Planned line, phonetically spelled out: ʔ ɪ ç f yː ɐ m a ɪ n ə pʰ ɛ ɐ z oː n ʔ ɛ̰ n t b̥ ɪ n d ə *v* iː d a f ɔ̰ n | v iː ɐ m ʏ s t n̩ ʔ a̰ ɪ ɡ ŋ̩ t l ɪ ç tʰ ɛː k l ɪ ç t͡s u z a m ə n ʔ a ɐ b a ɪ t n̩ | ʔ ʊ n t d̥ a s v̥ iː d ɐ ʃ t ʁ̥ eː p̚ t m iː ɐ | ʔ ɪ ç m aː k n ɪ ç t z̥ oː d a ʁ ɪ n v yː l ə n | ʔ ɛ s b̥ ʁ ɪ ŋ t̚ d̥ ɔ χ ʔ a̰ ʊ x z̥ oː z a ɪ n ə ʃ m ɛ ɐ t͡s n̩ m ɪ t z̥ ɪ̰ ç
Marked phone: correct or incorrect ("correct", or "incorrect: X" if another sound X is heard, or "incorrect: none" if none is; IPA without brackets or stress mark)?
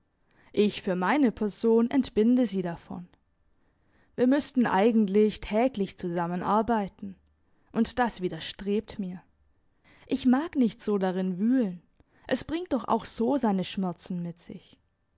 incorrect: z